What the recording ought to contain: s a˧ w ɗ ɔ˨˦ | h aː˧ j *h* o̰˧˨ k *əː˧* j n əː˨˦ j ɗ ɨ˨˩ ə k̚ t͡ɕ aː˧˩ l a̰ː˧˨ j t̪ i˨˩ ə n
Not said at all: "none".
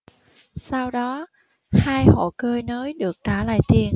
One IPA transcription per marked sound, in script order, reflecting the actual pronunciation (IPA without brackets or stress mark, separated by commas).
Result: h, əː˧